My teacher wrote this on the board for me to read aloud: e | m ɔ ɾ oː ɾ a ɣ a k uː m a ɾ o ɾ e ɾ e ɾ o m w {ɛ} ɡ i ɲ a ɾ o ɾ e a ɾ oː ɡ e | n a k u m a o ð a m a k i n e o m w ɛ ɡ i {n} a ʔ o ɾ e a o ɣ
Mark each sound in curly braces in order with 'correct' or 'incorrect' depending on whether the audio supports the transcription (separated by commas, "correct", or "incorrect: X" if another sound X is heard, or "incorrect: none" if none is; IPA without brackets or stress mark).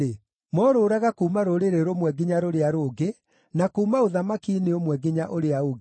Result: correct, incorrect: ɲ